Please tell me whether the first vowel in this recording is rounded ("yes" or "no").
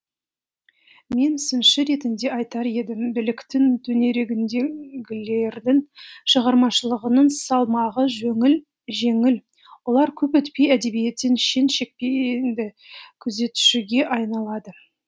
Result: no